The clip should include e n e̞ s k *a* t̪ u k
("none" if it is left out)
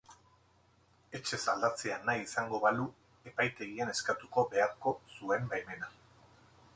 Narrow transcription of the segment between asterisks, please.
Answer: a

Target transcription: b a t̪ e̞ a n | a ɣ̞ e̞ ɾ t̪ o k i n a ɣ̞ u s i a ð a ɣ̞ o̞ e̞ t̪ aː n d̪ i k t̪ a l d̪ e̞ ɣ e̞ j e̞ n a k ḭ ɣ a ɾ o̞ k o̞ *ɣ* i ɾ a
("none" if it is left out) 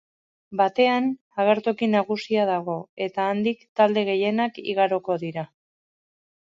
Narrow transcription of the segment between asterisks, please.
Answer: ð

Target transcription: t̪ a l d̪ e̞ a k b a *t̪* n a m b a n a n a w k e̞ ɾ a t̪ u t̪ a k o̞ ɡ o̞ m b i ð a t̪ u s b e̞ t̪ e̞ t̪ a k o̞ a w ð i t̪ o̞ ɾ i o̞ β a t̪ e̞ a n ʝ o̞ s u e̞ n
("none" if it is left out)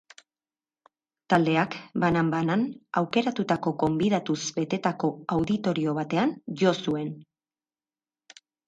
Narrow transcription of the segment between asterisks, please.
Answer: none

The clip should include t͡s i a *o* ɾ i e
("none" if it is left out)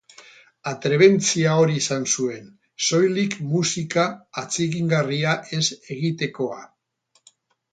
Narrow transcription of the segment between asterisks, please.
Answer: o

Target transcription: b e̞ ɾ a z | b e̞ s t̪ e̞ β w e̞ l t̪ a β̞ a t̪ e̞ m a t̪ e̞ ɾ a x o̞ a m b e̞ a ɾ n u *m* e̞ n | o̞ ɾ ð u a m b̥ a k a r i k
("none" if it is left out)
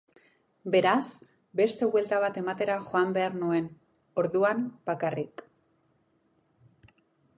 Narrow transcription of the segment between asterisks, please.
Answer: none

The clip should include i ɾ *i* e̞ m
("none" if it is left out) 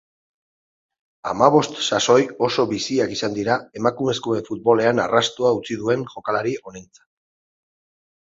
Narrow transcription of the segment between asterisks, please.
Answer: a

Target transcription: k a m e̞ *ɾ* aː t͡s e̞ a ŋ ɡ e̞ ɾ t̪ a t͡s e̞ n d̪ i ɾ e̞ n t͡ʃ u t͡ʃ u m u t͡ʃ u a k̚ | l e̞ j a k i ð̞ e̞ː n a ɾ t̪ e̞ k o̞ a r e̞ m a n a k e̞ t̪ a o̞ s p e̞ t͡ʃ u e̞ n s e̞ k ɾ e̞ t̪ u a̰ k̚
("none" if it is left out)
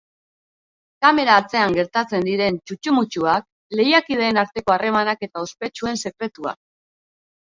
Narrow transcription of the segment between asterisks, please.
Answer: ɾ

